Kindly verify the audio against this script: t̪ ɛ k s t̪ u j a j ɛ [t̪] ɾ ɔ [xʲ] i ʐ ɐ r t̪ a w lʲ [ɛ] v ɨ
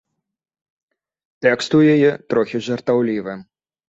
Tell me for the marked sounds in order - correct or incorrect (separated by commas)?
correct, correct, incorrect